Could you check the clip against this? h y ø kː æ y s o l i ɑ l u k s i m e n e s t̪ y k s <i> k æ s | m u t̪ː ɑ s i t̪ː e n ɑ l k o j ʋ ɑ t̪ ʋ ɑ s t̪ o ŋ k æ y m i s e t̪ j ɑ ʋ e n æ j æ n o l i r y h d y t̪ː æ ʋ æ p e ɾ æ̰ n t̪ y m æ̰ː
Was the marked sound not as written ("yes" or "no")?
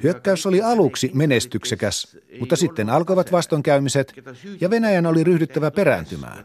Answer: yes